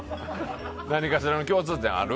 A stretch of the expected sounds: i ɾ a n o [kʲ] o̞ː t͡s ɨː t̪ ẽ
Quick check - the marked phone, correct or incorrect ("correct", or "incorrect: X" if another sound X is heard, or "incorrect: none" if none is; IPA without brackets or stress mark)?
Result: correct